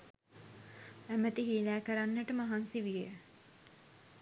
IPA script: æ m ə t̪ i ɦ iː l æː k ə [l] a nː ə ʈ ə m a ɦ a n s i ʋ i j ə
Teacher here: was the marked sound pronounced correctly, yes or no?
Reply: no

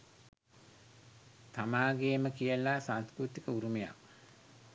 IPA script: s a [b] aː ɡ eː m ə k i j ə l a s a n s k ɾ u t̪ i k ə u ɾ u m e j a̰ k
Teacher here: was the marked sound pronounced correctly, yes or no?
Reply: no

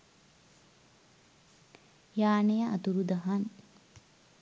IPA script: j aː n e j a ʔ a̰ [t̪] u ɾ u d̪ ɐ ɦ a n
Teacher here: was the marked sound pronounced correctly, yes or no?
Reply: yes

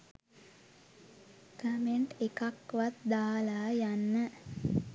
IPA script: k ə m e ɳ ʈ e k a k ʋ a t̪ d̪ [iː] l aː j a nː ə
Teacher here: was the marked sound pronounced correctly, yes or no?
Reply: no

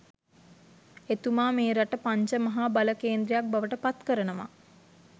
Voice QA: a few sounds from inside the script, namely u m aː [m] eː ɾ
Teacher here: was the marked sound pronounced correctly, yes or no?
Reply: yes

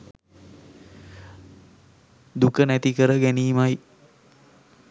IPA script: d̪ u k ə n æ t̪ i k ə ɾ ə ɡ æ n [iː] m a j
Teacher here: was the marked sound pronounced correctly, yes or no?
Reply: yes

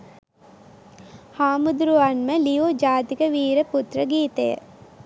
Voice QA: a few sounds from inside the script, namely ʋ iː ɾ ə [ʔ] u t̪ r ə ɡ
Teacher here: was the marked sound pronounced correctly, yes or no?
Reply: no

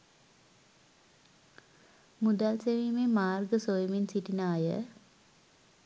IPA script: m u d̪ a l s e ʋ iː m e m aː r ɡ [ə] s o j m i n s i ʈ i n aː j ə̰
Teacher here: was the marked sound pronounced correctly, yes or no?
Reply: yes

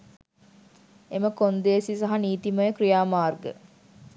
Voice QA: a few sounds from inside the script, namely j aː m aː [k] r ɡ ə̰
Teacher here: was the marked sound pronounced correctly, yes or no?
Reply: no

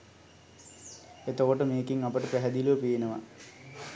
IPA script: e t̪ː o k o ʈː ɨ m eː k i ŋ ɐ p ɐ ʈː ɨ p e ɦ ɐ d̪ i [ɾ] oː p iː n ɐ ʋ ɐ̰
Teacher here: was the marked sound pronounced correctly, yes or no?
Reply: no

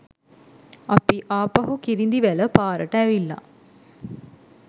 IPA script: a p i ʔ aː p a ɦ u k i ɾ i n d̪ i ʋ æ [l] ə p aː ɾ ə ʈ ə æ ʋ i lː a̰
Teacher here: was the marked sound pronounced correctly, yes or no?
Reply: yes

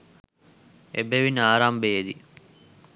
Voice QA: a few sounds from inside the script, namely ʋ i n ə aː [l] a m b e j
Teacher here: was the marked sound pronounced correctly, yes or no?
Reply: no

